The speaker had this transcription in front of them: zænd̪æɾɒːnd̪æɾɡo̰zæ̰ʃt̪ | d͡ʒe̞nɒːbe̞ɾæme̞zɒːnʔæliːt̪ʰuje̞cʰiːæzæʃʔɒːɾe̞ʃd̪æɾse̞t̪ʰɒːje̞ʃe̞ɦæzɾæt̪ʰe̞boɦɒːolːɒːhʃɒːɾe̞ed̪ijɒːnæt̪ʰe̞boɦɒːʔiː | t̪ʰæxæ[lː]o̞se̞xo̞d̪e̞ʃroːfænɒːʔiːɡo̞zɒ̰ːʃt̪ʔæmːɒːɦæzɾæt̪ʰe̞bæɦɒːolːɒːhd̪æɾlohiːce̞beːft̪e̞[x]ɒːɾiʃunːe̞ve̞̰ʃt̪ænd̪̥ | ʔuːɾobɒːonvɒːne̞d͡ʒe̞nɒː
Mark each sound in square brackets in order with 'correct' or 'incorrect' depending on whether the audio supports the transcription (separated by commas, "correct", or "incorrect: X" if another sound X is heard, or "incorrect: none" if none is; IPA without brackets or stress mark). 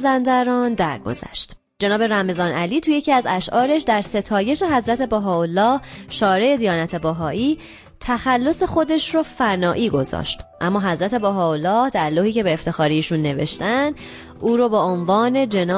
correct, correct